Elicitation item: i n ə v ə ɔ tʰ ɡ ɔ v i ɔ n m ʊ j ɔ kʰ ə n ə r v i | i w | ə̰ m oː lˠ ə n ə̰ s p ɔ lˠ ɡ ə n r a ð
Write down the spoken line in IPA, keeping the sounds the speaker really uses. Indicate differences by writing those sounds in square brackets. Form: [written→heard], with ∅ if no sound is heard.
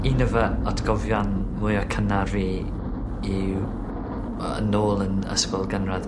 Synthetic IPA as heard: i n ə v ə ɔ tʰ ɡ ɔ v [i→j] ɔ n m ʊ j ɔ kʰ ə n [ə→a] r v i | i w | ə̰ [m→n] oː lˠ ə n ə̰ s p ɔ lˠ ɡ ə n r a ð